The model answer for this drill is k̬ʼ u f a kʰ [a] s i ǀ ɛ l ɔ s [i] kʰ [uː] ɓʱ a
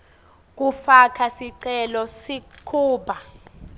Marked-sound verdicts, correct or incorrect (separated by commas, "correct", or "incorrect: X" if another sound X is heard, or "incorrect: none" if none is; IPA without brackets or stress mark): correct, correct, correct